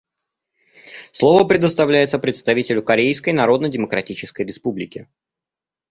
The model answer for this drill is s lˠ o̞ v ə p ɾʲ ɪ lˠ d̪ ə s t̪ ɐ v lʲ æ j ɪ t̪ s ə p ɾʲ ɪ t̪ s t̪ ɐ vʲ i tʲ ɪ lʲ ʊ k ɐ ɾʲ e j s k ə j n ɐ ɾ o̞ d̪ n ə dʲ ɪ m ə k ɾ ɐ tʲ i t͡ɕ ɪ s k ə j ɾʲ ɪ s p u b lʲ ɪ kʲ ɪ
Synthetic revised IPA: s lˠ o̞ v ə p ɾʲ ɪ d̪ ə s t̪ ɐ v lʲ æ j ɪ t̪ s ə p ɾʲ ɪ t̪ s t̪ ɐ vʲ i tʲ ɪ lʲ ʊ k ɐ ɾʲ e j s k ə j n ɐ ɾ o̞ d̪ n ə dʲ ɪ m ə k ɾ ɐ tʲ i t͡ɕ ɪ s k ə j ɾʲ ɪ s p u b lʲ ɪ kʲ ɪ